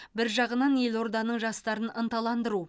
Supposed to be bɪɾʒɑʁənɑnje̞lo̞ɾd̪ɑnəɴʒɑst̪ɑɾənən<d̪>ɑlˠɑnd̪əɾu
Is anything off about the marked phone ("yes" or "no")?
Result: yes